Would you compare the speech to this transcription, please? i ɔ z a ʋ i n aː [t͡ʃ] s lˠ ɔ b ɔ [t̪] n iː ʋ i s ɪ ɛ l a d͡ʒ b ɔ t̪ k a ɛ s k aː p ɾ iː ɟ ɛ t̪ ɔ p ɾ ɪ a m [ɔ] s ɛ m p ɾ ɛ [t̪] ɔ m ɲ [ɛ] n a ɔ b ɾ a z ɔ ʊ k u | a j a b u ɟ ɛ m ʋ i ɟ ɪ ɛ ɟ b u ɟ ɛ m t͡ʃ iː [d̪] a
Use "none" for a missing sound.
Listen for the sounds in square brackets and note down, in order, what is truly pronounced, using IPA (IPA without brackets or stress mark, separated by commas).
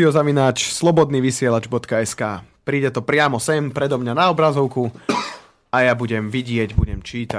t͡ʃ, d̪, ɔ, d̪, a, t̪